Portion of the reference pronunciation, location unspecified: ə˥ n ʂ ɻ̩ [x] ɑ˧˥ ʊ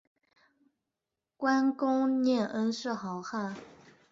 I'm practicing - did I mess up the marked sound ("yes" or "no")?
no